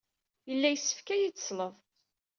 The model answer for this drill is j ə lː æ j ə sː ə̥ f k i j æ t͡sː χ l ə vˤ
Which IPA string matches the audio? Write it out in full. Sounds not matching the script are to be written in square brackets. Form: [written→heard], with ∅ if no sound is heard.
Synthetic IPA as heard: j ə lː æ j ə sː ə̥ f k [i→æ] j [æ→i] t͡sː [χ→s] l ə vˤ